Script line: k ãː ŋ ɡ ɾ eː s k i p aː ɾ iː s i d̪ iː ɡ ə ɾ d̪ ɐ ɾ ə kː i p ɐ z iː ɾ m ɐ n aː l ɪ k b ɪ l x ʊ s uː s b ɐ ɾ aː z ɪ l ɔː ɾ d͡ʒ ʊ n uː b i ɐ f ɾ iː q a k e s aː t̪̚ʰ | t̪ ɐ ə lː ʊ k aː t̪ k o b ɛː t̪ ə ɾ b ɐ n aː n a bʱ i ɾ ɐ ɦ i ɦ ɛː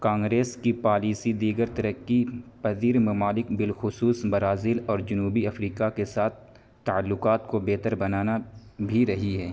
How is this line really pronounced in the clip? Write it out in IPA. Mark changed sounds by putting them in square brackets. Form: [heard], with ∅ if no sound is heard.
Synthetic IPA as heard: k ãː ŋ ɡ ɾ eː s k i p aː [l] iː s i d̪ iː ɡ ə ɾ [t̪] ɐ ɾ ə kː i p ɐ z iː ɾ m ɐ [m] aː l ɪ k b ɪ l x ʊ s uː s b ɐ ɾ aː z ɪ l ɔː ɾ d͡ʒ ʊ n uː b i ɐ f ɾ iː [k] a k e s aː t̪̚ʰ | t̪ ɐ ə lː ʊ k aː t̪ k o b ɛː t̪ ə ɾ b ɐ n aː n a bʱ i ɾ ɐ ɦ i ɦ ɛː